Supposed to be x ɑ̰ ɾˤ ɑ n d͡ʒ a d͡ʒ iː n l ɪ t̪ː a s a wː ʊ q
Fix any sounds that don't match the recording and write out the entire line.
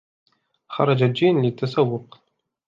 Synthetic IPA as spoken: x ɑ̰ ɾˤ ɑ d͡ʒ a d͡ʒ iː n l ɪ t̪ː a s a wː ʊ q